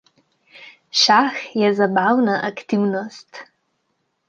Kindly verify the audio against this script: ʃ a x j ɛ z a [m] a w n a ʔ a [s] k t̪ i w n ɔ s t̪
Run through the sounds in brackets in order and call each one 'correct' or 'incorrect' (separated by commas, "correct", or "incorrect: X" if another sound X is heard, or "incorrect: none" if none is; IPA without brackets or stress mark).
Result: incorrect: b, incorrect: none